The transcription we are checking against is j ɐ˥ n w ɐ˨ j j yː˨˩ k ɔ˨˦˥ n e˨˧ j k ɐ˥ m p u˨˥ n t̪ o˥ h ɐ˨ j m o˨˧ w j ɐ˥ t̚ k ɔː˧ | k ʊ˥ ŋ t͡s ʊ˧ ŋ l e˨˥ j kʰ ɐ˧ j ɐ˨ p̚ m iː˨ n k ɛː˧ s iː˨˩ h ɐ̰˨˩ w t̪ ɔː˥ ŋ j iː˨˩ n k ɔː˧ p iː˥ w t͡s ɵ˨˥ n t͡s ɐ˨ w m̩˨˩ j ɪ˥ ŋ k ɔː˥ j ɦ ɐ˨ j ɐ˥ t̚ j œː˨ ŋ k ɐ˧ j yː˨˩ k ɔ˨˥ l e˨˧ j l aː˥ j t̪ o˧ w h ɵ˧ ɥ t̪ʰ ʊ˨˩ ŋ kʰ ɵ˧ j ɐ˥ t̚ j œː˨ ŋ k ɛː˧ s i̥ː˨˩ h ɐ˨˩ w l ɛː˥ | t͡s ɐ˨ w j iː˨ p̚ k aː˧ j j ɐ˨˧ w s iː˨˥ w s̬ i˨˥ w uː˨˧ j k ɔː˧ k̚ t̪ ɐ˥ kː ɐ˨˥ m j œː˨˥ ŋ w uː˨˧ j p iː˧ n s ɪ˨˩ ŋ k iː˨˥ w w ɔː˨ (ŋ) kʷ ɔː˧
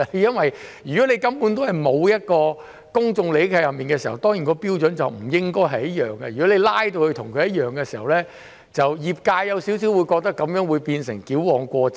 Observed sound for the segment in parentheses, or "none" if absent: ŋ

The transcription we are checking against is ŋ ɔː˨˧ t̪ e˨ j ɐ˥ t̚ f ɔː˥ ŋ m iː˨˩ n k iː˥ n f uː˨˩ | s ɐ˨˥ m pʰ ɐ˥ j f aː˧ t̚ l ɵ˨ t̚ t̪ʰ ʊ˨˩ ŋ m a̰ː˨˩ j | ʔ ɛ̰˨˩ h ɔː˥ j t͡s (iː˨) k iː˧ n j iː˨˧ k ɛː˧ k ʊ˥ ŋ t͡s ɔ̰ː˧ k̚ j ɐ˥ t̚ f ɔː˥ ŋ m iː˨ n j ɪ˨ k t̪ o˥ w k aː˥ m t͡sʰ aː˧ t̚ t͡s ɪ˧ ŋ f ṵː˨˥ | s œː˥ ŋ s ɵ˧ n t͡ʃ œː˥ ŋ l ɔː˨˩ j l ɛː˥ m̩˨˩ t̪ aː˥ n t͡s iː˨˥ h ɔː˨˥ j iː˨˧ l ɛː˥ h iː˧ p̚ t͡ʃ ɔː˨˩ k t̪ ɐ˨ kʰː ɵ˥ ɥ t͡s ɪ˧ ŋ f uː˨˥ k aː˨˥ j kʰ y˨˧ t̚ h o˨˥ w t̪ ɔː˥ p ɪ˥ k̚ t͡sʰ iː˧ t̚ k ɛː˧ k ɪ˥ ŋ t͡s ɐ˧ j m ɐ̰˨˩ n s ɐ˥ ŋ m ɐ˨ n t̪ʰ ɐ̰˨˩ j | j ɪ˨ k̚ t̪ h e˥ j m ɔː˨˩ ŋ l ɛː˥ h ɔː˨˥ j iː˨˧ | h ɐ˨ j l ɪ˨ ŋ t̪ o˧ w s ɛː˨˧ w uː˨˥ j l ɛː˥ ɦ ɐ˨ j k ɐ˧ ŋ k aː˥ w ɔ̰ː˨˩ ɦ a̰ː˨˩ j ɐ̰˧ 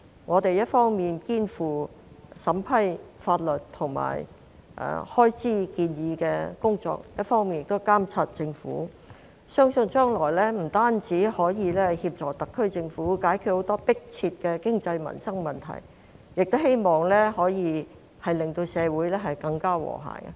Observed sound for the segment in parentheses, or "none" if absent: iː˥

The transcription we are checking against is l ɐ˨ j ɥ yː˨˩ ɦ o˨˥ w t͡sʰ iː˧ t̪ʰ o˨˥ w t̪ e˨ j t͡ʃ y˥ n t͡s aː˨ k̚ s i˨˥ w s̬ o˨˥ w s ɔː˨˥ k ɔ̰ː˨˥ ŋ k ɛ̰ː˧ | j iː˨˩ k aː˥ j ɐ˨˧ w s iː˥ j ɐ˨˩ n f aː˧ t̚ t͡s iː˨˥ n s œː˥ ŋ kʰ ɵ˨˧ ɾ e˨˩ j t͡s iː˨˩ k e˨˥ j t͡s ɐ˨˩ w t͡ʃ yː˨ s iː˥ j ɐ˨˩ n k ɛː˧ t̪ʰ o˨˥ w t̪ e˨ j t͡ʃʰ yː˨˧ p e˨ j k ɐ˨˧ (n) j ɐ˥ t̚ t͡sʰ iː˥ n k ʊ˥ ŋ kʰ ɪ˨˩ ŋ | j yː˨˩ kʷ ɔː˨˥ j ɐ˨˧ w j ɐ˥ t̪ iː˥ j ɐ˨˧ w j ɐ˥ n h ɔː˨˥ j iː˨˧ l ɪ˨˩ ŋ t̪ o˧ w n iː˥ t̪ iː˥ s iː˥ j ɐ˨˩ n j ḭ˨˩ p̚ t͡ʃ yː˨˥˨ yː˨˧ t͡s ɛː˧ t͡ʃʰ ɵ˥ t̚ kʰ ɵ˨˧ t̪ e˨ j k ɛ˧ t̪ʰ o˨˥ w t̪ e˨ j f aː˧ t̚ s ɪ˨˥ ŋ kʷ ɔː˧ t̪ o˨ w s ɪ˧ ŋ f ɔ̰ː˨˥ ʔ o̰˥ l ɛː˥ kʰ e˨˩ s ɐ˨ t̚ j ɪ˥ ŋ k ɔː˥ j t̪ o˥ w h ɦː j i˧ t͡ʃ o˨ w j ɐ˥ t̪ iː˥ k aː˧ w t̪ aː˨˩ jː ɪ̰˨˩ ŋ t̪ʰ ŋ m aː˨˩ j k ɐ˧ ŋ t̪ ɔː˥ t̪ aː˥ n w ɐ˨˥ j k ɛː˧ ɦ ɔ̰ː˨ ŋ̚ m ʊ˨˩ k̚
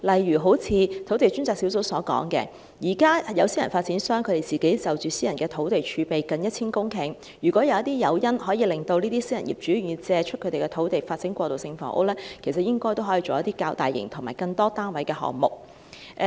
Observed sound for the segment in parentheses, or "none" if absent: n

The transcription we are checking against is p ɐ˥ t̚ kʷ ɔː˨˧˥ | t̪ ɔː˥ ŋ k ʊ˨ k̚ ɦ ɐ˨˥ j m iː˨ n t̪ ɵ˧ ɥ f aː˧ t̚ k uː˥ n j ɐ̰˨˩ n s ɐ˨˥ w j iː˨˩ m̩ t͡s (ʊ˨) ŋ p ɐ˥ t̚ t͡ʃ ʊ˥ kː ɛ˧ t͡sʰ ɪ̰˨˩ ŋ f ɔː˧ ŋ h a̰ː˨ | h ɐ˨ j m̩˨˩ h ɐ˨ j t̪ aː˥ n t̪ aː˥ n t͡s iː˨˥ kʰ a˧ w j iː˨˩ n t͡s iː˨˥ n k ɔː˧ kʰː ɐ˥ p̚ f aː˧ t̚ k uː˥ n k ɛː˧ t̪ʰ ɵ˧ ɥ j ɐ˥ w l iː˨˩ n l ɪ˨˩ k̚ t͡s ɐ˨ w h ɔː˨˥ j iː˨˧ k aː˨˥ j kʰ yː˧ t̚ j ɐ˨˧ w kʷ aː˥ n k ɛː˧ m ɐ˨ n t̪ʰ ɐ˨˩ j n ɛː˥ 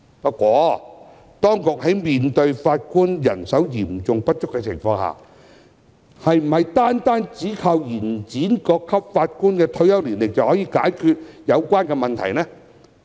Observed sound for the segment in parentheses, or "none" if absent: ʊ˨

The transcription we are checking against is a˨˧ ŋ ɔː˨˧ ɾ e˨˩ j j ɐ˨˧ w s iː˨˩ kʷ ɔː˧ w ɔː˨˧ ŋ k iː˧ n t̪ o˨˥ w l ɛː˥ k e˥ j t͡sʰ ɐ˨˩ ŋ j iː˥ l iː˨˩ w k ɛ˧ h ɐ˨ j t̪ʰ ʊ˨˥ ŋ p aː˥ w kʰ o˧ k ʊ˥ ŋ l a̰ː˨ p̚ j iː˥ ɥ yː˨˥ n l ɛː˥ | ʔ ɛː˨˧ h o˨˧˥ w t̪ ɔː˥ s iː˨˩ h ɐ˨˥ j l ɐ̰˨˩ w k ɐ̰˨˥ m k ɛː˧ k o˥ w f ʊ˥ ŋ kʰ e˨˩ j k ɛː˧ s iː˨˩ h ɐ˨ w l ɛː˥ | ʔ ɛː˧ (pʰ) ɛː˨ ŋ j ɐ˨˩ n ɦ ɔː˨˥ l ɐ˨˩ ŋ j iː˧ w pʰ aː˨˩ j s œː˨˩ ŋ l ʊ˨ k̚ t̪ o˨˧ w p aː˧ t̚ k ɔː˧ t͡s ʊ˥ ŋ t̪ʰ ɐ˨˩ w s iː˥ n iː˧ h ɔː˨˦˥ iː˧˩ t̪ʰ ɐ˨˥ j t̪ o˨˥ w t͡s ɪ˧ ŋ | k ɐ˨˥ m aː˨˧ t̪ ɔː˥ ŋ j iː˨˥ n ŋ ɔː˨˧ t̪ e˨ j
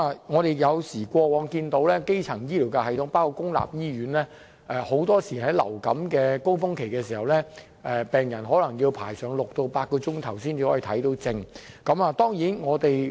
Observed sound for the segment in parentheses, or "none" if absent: p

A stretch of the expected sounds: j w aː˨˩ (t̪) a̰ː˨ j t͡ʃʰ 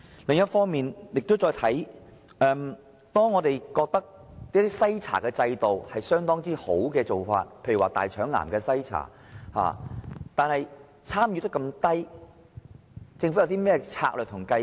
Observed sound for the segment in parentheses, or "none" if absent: t̪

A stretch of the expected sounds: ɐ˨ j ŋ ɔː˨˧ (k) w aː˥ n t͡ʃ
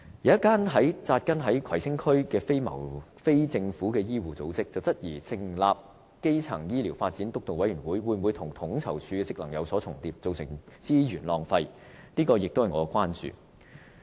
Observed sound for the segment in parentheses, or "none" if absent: k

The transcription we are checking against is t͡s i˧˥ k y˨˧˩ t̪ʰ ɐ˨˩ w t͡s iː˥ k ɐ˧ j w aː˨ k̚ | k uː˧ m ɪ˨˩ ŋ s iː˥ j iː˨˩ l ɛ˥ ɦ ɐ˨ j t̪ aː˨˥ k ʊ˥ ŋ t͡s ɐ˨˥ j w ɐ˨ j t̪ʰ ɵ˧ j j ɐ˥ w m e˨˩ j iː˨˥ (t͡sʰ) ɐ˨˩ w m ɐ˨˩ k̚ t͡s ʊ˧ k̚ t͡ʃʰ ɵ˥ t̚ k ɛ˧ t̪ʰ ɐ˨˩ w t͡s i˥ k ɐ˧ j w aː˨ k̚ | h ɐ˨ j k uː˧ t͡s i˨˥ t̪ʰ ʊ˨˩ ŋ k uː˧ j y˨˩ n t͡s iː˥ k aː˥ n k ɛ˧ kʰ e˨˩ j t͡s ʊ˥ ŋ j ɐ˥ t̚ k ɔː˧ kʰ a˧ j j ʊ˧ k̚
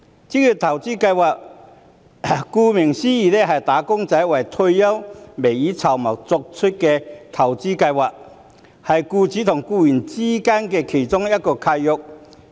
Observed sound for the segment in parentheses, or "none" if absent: t͡sʰ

